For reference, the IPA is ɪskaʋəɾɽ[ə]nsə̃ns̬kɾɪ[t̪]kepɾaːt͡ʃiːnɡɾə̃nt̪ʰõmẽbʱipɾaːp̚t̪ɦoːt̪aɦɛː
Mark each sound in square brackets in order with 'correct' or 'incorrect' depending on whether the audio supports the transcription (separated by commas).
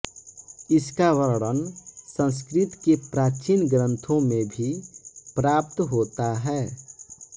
correct, correct